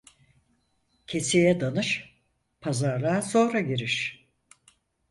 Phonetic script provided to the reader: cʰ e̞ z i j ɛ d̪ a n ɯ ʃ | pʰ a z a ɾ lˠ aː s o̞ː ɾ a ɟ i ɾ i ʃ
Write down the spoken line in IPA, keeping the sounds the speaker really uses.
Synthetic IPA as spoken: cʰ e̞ s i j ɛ d̪ a n ɯ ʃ | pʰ a z a ɾ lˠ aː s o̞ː ɾ a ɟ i ɾ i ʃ